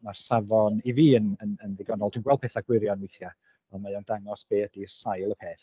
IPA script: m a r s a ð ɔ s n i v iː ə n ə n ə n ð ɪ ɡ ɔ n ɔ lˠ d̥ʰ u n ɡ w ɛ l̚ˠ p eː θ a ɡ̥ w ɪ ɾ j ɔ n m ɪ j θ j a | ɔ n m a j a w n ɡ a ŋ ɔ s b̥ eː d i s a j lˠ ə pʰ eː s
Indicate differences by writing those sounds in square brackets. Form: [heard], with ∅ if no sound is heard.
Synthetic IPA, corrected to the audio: m a r s a [v] ɔ [∅] n i v iː ə n ə n ə n ð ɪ ɡ ɔ n ɔ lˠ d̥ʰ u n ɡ w ɛ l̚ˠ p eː θ a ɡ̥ w ɪ ɾ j ɔ n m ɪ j θ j a | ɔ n m a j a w n [d] a ŋ ɔ s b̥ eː d i s a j lˠ ə pʰ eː [θ]